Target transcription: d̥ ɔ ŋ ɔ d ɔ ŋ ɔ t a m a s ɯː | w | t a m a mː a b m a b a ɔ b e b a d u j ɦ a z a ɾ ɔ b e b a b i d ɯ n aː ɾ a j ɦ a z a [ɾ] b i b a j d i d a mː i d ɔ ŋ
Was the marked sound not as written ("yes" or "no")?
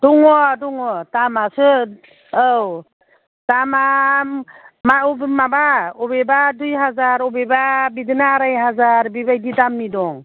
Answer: no